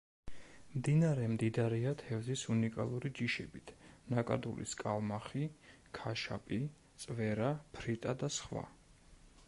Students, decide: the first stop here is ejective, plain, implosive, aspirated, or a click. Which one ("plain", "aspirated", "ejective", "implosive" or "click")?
plain